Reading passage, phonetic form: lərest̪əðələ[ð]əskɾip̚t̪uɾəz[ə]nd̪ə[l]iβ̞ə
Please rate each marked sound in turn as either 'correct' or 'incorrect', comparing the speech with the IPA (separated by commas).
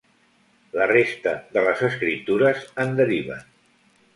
incorrect, correct, incorrect